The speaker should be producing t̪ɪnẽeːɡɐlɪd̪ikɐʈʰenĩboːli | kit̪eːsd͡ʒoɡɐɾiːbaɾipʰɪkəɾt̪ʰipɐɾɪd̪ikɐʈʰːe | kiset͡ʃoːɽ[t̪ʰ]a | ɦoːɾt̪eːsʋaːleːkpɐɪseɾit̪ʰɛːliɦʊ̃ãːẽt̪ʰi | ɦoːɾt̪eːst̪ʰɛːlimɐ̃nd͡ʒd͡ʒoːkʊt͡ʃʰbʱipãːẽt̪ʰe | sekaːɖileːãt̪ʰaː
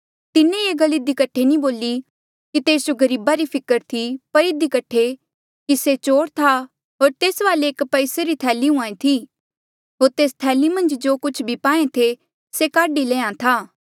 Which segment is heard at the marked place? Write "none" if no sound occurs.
t̪ʰ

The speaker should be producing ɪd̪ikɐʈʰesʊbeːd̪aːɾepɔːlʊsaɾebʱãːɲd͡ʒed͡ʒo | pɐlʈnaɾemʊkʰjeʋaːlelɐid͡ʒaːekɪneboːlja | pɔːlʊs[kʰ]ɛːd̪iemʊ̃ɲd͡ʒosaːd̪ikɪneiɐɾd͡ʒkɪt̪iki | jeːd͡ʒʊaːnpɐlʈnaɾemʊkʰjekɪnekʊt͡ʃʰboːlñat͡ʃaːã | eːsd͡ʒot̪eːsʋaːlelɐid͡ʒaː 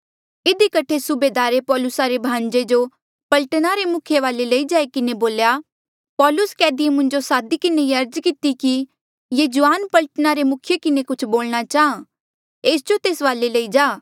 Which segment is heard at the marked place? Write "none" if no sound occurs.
k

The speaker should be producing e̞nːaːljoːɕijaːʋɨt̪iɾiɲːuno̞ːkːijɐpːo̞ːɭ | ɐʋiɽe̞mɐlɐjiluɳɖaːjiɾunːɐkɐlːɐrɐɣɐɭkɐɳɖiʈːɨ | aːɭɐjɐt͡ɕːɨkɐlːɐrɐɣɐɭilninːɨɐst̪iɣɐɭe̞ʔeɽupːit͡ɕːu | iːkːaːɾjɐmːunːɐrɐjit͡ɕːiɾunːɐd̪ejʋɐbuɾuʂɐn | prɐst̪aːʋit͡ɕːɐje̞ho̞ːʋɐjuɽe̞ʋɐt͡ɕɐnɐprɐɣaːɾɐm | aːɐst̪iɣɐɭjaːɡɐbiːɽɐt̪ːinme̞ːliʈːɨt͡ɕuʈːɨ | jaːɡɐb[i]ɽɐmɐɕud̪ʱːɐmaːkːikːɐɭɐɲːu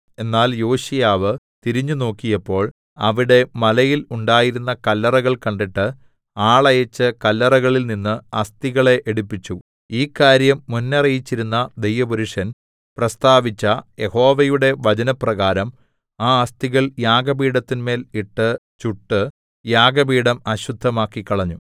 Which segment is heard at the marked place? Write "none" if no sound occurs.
iː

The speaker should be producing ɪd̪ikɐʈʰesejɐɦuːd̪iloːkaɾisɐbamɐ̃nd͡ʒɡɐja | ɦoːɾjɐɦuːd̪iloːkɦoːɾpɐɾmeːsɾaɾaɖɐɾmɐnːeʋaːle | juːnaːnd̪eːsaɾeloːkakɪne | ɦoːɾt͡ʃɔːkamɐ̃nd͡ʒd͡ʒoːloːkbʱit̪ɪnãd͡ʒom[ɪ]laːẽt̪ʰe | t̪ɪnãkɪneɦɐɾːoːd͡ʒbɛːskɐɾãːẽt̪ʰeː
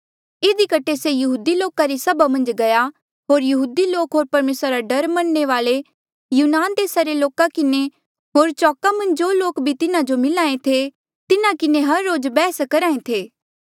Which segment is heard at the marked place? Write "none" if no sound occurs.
ɪ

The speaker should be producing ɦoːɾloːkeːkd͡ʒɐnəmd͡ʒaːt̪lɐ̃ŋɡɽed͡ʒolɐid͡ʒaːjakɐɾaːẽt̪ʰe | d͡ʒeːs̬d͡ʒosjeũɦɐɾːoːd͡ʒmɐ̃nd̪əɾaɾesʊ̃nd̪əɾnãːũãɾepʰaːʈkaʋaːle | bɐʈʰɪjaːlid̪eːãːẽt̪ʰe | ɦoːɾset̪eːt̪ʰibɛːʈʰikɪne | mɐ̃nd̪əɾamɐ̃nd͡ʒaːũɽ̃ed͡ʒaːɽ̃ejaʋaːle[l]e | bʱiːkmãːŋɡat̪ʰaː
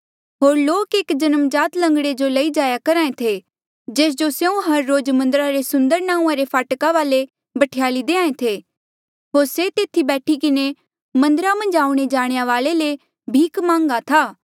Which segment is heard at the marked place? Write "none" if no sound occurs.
l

